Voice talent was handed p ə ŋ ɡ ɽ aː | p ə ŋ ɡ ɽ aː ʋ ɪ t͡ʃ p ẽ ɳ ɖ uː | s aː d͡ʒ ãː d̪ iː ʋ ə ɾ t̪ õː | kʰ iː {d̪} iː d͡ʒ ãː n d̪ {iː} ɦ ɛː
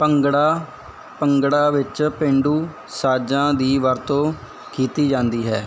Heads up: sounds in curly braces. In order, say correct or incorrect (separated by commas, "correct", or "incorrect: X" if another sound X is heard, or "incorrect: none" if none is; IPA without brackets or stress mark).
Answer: incorrect: t̪, correct